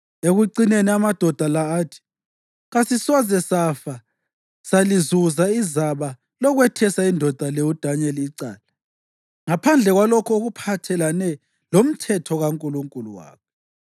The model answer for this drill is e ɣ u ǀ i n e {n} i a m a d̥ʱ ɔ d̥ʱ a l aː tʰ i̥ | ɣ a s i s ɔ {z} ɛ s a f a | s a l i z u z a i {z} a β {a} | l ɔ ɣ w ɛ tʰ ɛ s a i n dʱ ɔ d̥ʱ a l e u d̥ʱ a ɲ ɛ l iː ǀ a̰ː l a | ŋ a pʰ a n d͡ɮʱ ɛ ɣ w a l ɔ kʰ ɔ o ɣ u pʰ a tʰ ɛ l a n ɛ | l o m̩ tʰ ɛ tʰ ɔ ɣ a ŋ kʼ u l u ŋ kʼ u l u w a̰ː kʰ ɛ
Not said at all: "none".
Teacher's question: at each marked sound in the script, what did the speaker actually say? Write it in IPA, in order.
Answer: n, z, z, a

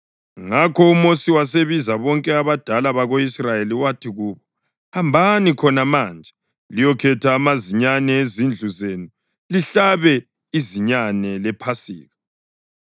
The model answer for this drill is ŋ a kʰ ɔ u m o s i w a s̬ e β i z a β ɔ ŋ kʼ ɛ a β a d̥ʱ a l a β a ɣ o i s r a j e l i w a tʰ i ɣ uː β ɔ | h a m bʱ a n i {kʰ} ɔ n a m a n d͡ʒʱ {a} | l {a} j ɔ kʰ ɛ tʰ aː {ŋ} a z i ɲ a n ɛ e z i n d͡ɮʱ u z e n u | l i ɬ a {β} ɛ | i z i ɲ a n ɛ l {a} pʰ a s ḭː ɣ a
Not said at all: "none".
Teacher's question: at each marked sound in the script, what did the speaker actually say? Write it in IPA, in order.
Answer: kʰ, ɛ, i, m, β, ɛ

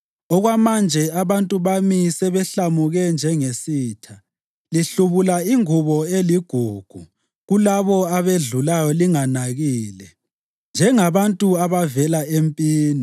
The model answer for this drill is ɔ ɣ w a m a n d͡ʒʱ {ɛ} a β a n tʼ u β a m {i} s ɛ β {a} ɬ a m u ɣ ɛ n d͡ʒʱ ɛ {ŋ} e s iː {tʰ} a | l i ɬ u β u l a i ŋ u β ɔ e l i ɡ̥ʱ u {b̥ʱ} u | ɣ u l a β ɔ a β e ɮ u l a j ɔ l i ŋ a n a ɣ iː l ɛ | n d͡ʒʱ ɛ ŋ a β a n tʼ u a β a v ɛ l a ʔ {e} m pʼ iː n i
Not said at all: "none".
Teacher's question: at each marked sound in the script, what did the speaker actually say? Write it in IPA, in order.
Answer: ɛ, i, ɛ, ŋ, tʰ, ɡ̥ʱ, e

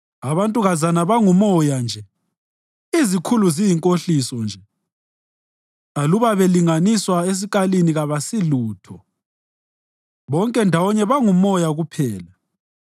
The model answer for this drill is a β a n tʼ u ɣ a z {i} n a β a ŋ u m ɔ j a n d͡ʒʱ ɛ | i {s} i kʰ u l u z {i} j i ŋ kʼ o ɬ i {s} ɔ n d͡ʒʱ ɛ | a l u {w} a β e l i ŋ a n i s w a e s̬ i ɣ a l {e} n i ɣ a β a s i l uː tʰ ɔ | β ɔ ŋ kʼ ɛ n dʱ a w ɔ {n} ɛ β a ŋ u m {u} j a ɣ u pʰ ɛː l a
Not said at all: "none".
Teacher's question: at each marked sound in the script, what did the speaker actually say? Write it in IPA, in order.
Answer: a, z, i, s, β, i, ɲ, ɔ

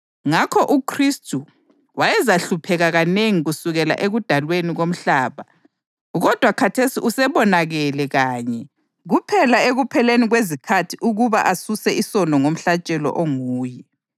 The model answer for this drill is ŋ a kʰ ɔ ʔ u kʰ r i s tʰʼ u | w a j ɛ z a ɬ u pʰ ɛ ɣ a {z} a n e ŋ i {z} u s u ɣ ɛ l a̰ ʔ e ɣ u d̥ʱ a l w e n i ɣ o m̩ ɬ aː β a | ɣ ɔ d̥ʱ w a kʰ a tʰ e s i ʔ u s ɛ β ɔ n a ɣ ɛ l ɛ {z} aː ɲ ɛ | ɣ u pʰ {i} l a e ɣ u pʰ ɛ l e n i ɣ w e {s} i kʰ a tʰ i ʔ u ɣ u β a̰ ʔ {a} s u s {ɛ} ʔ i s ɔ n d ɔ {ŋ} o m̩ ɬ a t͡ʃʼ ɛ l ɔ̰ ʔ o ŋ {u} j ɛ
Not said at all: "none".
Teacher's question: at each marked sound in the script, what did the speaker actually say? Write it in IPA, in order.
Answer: ɣ, ɣ, ɣ, ɛ, z, a, ɛ, ŋ, uː

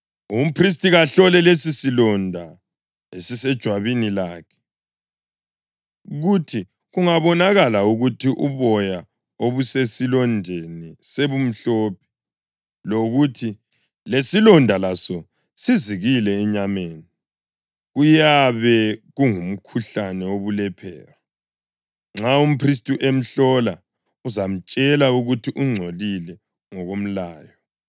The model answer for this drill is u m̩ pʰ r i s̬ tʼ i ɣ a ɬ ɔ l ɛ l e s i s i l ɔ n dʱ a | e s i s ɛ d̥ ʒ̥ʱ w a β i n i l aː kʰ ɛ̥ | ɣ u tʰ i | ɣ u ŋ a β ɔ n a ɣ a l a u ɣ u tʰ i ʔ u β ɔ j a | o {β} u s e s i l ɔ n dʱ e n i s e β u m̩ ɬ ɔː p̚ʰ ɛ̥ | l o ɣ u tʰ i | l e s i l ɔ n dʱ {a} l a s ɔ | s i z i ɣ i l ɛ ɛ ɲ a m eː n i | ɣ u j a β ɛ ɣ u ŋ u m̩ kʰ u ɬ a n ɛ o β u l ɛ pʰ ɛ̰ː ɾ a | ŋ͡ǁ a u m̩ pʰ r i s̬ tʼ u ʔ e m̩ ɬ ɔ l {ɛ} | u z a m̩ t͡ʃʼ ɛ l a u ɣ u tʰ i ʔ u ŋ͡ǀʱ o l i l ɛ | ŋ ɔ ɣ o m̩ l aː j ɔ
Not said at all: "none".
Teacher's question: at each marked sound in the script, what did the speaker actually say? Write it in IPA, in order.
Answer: β, a, a

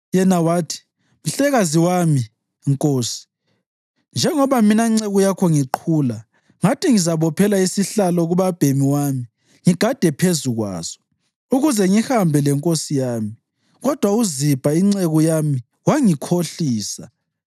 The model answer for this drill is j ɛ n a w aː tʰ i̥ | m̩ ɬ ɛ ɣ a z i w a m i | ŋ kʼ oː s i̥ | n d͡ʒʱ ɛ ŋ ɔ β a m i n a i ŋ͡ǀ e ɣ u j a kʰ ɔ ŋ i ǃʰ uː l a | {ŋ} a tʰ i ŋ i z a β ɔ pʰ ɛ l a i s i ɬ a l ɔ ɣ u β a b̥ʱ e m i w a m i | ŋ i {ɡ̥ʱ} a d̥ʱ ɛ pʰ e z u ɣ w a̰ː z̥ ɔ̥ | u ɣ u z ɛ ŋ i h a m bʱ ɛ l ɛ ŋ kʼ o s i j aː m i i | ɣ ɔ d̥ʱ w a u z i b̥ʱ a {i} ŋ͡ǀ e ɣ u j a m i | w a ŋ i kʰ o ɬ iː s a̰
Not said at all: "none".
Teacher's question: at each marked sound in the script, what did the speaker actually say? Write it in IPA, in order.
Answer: ŋ, ɡ̥ʱ, i

